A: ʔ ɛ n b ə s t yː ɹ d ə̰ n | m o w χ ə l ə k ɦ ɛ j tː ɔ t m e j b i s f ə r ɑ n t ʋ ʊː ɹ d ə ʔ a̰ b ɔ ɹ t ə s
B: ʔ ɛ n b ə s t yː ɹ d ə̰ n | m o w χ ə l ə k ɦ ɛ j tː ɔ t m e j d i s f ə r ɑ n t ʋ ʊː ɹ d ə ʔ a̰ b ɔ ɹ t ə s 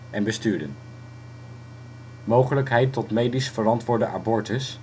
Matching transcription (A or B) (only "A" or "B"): B